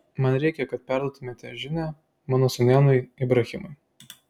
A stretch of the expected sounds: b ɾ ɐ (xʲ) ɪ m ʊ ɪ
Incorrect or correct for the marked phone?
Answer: correct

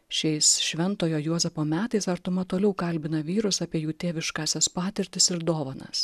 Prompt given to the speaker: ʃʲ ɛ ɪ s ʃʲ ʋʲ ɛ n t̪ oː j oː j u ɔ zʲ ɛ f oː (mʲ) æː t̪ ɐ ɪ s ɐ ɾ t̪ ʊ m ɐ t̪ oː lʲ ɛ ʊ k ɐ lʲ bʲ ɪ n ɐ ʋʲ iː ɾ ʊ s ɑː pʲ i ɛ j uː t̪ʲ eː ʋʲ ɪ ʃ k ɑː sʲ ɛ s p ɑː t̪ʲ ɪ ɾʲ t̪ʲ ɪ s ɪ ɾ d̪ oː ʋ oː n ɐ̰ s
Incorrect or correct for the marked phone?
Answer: correct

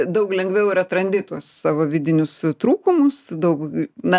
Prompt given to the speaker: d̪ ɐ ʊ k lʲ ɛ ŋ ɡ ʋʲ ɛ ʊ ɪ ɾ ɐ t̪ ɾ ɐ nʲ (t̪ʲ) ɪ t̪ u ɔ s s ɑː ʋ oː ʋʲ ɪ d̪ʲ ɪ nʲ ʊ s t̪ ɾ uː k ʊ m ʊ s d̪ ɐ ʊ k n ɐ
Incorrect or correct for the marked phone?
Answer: incorrect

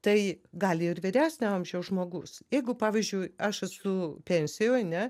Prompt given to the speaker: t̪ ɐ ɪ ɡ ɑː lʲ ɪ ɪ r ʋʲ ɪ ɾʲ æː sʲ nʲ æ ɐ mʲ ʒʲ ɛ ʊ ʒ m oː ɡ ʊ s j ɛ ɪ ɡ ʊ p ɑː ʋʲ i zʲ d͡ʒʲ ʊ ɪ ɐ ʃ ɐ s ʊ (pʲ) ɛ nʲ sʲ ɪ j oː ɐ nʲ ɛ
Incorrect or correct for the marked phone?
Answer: correct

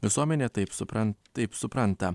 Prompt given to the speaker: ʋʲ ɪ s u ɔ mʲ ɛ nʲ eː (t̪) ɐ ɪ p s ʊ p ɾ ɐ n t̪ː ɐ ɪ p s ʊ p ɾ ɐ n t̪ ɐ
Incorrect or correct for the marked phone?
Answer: correct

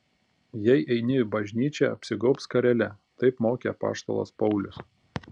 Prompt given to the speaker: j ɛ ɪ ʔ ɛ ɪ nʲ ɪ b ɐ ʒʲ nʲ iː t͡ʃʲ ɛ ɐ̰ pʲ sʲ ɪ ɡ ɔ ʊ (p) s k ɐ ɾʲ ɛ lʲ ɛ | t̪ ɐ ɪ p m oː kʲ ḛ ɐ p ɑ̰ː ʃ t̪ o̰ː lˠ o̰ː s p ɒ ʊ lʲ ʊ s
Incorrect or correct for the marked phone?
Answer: correct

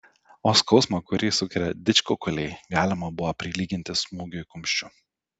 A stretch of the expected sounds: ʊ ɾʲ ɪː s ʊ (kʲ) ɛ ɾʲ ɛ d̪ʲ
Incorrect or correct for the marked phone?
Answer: correct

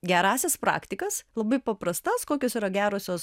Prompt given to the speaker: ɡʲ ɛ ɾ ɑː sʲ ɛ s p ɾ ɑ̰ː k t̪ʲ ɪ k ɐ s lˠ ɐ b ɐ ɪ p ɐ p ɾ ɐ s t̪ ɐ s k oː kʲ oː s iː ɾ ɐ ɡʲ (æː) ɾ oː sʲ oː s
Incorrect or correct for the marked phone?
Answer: correct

